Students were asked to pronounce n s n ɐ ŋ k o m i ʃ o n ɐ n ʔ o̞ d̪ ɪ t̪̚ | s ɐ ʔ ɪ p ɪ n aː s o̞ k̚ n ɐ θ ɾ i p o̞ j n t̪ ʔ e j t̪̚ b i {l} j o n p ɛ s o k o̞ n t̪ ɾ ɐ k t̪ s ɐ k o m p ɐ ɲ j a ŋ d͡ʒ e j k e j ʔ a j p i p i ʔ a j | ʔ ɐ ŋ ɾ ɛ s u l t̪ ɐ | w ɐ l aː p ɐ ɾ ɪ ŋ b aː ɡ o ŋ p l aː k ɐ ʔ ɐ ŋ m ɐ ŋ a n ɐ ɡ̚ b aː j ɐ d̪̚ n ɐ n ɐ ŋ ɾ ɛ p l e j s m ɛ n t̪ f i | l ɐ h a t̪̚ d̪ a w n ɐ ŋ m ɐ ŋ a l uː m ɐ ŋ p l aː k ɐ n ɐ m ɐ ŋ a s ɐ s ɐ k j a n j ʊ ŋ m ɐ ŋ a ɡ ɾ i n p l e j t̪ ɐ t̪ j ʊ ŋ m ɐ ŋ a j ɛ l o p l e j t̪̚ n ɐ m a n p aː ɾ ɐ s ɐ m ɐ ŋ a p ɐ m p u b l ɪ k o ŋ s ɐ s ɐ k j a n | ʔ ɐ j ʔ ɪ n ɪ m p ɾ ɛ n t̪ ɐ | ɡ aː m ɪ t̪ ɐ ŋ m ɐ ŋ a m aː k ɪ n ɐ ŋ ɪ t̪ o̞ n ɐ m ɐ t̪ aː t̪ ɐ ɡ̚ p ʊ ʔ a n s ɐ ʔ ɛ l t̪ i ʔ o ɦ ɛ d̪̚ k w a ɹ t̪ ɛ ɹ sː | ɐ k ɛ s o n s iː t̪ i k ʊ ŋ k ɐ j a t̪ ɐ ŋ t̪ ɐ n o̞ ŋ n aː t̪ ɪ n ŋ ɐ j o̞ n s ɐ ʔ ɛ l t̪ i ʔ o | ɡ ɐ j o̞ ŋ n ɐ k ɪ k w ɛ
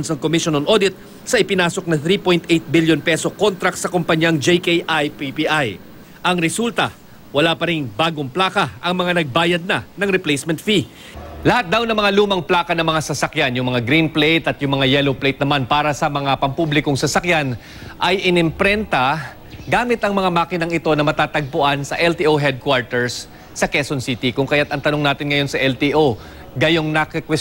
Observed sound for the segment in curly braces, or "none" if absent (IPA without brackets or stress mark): l